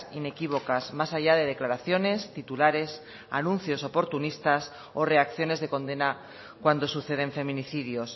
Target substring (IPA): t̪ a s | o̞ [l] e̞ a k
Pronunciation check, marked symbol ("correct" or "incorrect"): incorrect